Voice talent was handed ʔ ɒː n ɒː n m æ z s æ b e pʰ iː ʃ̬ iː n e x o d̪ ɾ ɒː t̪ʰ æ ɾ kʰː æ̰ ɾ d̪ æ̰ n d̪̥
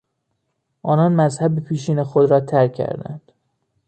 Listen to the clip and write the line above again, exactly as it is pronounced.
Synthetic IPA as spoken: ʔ ɒː n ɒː n m æ z h æ b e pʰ iː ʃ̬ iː n e x o d̪ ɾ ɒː t̪ʰ æ ɾ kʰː æ̰ ɾ d̪ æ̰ n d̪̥